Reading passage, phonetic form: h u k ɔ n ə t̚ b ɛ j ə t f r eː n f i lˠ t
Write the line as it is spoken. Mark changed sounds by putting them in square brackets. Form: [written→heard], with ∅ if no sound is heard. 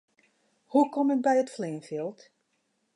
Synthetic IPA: h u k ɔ [n→m] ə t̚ b ɛ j ə t f [r→l] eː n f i lˠ t